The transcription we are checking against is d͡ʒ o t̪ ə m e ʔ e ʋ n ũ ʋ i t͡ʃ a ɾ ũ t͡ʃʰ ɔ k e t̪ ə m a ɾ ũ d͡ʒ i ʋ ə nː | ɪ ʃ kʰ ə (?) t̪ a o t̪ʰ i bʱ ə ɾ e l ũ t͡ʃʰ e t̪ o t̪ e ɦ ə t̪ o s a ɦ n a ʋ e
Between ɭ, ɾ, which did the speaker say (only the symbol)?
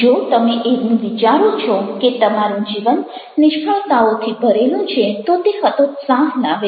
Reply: ɭ